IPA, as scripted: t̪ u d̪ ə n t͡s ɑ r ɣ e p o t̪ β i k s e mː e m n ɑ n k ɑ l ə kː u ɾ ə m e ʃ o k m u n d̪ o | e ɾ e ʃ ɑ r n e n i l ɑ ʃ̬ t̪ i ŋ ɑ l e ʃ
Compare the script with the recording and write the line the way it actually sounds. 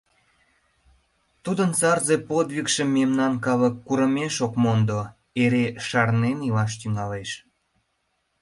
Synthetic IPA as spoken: t̪ u d̪ ə n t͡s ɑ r z e p o d̪ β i k ʃ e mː e m n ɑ n k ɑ l ə kː u ɾ ə m e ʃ o k m o n d̪ o | e ɾ e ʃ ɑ r n e n i l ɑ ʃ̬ t̪ y ŋ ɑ l e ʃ